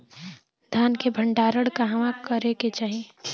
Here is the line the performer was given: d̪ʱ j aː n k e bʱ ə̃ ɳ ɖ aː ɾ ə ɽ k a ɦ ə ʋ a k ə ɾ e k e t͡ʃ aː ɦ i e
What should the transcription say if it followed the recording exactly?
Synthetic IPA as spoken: d̪ʱ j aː n k e bʱ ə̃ ɳ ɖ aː ɾ ə ɽ k a ɦ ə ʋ a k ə ɾ e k e t͡ʃ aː ɦ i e